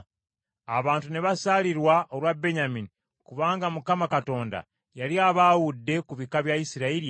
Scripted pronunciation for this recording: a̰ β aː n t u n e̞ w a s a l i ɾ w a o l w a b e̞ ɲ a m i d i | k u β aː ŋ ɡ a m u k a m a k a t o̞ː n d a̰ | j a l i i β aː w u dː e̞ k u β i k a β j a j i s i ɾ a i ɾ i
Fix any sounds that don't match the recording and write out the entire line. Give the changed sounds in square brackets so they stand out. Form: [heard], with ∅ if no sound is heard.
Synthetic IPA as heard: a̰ β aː n t u n e̞ [β] a s a l i ɾ w a o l w a b e̞ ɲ a m i [n] i | k u β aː ŋ ɡ a m u k a m a k a t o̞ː n d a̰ | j a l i [a] β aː w u dː e̞ k u β i k a β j a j i s i ɾ a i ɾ i